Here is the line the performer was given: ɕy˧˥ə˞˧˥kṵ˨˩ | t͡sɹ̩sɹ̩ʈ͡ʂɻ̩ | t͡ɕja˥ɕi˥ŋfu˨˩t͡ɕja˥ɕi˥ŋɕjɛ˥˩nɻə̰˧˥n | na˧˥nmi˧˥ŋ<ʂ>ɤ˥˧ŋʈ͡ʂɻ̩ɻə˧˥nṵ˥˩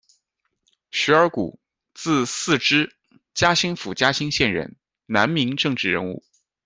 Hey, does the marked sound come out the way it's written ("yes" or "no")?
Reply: no